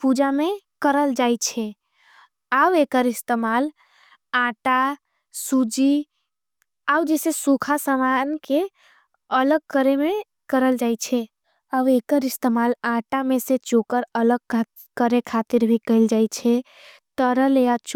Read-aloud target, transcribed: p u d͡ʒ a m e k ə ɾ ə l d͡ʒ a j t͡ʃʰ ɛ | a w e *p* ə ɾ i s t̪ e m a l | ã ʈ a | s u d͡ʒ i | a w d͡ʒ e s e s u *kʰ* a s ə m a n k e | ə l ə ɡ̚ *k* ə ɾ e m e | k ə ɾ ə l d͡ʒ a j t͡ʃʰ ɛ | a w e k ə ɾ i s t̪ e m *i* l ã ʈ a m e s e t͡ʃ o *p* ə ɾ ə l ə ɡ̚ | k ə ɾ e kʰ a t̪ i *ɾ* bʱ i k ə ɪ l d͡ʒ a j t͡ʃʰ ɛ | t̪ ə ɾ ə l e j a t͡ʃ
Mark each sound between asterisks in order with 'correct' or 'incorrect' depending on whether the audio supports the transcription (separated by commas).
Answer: incorrect, correct, correct, incorrect, incorrect, correct